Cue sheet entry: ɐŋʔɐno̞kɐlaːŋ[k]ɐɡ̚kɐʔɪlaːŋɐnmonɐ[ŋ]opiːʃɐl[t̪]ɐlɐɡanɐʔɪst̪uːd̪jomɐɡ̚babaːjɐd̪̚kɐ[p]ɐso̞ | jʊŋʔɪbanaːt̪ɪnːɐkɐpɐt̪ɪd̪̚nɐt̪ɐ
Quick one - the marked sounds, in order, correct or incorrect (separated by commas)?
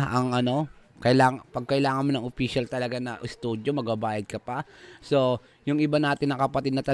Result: incorrect, correct, correct, correct